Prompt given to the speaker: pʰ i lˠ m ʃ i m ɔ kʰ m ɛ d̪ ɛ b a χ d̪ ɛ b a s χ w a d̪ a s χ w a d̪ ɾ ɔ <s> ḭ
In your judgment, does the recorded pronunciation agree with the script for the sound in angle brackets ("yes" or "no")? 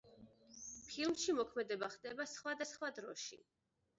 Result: no